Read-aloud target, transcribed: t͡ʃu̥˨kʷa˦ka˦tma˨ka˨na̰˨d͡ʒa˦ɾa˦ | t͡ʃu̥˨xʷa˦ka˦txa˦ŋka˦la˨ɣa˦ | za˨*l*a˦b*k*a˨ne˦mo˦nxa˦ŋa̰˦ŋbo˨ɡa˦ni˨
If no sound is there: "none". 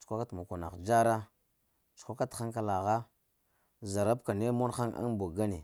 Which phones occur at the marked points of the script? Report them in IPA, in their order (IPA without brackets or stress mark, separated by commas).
ɾ, k